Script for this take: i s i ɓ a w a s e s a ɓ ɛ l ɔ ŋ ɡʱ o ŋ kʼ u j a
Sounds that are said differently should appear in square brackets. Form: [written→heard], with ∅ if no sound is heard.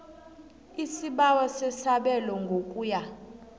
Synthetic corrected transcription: i s i ɓ a w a s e s a ɓ ɛ l ɔ ŋ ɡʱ o [ŋ→∅] kʼ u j a